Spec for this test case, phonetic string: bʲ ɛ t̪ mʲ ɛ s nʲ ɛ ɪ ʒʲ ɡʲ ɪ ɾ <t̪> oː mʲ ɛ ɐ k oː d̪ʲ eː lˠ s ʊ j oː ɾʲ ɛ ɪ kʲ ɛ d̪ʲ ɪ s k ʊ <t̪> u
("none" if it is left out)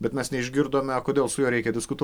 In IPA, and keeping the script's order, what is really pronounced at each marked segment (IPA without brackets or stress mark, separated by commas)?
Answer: d̪, t̪